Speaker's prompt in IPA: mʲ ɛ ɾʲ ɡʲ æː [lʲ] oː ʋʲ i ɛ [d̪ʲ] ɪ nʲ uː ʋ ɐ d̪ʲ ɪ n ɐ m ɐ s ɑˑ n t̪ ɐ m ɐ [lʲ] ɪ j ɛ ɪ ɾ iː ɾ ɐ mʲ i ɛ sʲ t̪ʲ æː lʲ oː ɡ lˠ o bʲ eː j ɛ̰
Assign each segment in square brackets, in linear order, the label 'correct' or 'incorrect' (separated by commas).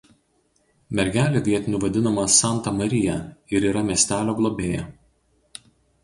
correct, incorrect, incorrect